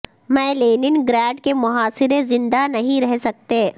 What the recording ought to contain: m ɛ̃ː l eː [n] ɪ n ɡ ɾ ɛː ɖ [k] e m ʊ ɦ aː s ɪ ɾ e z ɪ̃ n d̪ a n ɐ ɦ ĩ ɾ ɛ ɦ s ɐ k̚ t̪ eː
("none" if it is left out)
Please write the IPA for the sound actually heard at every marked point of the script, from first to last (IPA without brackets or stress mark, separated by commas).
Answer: n, k